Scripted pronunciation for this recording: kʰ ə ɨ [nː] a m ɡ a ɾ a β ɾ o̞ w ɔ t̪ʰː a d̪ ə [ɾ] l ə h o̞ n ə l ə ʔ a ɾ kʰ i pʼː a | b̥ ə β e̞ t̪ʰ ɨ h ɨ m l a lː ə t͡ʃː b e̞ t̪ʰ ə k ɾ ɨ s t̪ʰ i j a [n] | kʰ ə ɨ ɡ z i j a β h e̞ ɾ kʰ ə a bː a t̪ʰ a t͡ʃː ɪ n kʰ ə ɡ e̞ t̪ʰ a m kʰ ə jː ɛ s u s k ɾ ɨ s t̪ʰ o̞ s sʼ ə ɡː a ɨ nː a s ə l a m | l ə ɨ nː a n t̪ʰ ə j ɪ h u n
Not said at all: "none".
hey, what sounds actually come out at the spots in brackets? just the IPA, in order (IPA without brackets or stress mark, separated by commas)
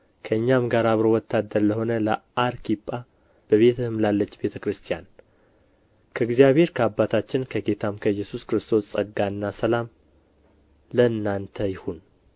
ɲː, ɾ, n